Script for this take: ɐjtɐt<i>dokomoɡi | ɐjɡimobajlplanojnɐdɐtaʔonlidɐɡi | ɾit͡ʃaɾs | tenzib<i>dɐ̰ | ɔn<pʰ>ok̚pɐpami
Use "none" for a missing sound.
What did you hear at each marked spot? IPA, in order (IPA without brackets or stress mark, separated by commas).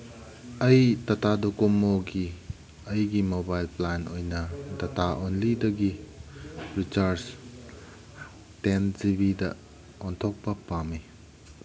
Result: a, i, tʰ